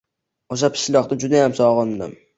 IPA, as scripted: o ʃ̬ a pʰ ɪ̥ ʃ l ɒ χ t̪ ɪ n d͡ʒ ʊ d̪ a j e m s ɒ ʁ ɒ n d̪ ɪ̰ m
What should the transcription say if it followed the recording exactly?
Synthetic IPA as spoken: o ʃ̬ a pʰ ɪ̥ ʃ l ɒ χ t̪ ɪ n d͡ʒ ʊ d̪ a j a m s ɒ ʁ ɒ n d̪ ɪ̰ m